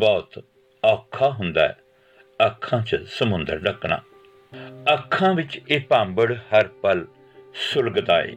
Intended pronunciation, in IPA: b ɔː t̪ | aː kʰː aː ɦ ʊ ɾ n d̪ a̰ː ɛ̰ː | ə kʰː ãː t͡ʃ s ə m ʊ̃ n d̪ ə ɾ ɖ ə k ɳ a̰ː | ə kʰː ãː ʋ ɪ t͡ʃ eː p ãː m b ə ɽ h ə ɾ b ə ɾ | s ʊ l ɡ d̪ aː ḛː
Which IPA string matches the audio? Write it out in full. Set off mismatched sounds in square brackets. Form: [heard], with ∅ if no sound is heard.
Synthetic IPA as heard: b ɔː t̪ | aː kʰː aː ɦ ʊ [∅] n d̪ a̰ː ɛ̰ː | ə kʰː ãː t͡ʃ s ə m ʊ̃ n d̪ ə ɾ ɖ ə k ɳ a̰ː | ə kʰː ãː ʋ ɪ t͡ʃ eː p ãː m b ə ɽ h ə ɾ [p] ə [l] | s ʊ l ɡ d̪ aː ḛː